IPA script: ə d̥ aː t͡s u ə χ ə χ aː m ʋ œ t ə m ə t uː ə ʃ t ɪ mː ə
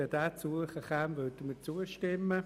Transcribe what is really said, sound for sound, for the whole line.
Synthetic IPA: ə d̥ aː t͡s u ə χ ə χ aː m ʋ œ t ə m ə t͡s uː ə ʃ t ɪ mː ə

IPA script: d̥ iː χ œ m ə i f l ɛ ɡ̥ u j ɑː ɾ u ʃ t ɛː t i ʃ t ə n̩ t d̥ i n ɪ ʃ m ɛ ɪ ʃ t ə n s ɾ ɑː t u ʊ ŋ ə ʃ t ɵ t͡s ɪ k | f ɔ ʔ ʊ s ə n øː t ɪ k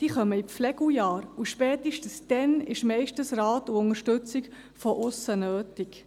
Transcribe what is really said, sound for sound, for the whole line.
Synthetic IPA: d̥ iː χ œ m ə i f l ɛ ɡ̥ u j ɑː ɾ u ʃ p ɛː t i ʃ t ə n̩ s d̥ ɛ n ɪ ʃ m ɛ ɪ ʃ t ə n s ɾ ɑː t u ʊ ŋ ə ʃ t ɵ t͡s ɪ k | f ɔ ʔ ʊ s ə n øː t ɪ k

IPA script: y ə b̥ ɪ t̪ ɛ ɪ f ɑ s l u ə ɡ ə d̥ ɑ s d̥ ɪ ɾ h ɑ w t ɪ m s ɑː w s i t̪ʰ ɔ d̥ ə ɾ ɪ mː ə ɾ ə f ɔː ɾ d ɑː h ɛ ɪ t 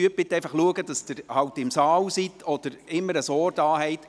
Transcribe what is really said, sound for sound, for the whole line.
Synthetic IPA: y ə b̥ ɪ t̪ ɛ ɪ f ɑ χ l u ə ɡ ə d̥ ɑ s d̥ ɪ ɾ h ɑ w t ɪ m s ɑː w s i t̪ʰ ɔ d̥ ə ɾ ɪ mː ə ɾ ə s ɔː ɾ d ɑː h ɛ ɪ t

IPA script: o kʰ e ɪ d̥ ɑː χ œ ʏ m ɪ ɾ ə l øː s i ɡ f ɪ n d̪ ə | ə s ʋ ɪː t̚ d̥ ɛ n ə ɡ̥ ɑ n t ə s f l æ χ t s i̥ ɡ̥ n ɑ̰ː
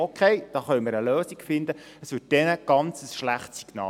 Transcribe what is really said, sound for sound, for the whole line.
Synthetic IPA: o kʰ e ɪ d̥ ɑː χ œ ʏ m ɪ ɾ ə l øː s i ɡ f ɪ n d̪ ə | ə s ʋ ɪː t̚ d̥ ɛ n ə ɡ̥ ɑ n t͡s ə s ʃ l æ χ t s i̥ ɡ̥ n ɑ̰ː

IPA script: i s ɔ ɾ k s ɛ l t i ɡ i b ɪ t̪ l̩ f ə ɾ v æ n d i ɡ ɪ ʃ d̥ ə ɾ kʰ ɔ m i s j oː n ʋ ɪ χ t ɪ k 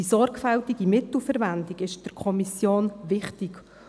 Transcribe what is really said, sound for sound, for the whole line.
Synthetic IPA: i s ɔ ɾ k f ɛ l t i ɡ i m ɪ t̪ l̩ f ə ɾ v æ n d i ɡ ɪ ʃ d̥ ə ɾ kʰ ɔ m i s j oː n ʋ ɪ χ t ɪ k

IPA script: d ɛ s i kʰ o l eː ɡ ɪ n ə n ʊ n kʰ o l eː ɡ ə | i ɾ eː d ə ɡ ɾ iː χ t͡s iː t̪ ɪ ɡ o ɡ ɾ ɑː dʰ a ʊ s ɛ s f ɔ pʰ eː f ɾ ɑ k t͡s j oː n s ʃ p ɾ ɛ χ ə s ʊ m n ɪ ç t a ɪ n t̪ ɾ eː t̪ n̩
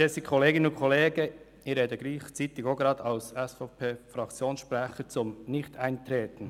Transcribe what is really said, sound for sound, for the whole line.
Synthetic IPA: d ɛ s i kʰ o l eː ɡ ɪ n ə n ʊ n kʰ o l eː ɡ ə | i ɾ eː d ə ɡ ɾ iː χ t͡s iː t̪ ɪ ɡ o ɡ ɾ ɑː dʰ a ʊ s ɛ s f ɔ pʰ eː f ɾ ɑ k t͡s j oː n s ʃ p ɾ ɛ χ ə t͡s ʊ m n ɪ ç t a ɪ n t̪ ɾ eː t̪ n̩

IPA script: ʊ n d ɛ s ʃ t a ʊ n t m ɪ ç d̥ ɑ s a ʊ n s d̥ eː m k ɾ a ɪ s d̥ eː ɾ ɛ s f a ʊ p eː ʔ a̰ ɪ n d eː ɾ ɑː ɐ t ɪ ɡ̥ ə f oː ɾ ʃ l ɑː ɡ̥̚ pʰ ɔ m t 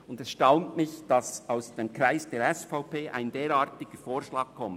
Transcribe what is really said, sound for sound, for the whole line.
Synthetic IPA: ʊ n d ɛ s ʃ t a ʊ n t m ɪ ç d̥ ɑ s a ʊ s d̥ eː m k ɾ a ɪ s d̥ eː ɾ ɛ s f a ʊ p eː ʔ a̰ ɪ n d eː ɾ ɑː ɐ t ɪ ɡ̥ ə f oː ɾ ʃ l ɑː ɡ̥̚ kʰ ɔ m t

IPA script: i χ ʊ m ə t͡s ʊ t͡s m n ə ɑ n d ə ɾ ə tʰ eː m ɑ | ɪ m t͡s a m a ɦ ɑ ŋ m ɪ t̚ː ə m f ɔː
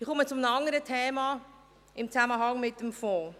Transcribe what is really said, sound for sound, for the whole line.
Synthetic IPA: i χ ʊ m ə t͡s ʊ m n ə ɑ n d ə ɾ ə tʰ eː m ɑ | ɪ m t͡s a m ə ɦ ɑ ŋ m ɪ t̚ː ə m f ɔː

